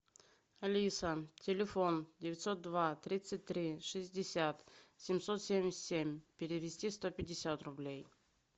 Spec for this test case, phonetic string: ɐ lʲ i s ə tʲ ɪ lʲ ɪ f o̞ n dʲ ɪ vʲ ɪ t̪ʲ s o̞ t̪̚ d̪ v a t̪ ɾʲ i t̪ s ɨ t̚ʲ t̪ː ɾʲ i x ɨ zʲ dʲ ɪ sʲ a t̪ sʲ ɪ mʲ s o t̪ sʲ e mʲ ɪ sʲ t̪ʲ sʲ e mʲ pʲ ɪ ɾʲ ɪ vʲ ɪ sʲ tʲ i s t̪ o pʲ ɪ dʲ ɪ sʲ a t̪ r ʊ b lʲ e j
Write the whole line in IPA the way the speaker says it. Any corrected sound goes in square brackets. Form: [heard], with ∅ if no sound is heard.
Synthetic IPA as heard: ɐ lʲ i s ə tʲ ɪ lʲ ɪ f o̞ n dʲ ɪ vʲ ɪ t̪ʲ s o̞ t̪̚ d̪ v a t̪ ɾʲ i t̪ s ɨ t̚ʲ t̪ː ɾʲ i [ʂ] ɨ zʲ dʲ ɪ sʲ a t̪ sʲ ɪ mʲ s o t̪ sʲ e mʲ ɪ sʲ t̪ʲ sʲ e mʲ pʲ ɪ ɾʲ ɪ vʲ ɪ sʲ tʲ i s t̪ o pʲ ɪ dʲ ɪ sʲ a t̪ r ʊ b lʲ e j